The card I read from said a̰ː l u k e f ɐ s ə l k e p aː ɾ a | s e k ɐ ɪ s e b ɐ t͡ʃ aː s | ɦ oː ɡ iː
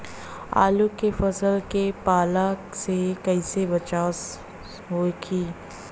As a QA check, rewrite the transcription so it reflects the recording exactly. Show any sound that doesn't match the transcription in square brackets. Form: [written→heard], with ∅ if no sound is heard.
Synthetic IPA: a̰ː l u k e f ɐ s ə l k e p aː [ɾ→l] a | s e k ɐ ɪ s e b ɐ t͡ʃ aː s | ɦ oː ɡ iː